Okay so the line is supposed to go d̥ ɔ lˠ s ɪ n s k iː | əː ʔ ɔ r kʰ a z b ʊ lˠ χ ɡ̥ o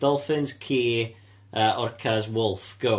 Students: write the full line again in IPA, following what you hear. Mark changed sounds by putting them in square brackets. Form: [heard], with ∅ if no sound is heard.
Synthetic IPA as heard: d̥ ɔ lˠ [f] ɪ n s [kʰ] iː | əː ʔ ɔ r kʰ a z [w] ʊ lˠ [f] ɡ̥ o